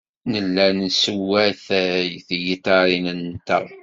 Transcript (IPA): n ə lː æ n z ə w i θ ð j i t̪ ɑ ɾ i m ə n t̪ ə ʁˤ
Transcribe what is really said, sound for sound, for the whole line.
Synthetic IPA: n ə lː æ n s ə w æ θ θ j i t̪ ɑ ɾ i n ə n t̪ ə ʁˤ